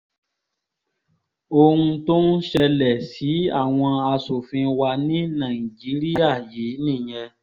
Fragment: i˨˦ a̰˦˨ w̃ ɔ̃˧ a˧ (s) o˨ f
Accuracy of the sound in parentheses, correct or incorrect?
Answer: correct